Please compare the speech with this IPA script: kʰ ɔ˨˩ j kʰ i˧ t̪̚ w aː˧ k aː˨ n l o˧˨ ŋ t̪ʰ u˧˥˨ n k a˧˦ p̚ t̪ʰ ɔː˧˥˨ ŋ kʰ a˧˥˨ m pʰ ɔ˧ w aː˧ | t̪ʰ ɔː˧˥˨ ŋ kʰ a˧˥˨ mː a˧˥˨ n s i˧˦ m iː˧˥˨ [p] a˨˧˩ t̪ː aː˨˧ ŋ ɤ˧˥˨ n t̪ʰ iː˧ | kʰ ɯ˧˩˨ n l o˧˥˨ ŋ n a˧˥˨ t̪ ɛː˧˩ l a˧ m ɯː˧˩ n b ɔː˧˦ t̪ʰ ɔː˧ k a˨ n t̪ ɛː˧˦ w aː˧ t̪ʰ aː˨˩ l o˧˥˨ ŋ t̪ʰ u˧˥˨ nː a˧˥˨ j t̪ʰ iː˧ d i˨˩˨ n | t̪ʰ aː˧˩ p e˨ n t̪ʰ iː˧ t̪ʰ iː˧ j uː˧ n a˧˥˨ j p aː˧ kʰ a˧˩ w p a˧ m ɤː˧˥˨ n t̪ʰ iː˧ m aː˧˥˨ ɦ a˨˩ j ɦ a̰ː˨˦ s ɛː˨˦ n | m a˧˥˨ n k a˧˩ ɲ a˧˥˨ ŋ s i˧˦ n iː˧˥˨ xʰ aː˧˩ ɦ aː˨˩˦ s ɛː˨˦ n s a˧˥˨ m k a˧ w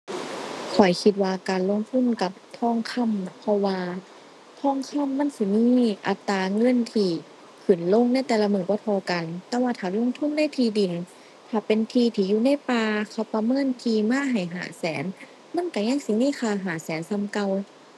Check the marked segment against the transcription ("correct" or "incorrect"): incorrect